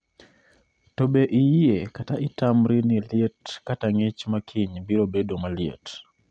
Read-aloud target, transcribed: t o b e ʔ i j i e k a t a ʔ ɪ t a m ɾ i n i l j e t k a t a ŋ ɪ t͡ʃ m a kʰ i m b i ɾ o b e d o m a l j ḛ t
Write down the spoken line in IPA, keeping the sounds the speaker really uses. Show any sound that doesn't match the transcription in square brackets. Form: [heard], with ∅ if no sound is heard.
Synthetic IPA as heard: t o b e ʔ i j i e k a t a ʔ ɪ t a m ɾ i n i l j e t k a t a ŋ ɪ t͡ʃ m a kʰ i [ɲ] b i ɾ o b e d o m a l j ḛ t